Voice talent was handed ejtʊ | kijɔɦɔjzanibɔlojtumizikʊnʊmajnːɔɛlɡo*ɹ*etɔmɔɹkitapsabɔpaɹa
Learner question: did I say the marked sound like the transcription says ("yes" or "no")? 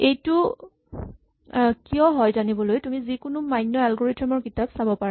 yes